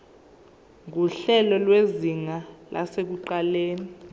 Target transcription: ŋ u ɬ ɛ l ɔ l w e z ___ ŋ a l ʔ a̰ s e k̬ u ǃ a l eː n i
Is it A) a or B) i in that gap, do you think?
B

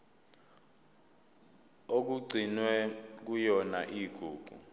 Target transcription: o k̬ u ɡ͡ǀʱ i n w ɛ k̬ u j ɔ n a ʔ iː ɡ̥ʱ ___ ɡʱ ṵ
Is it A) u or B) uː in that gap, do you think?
B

